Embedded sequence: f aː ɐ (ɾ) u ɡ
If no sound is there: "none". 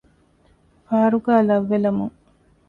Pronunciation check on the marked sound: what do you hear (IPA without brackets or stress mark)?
ɾ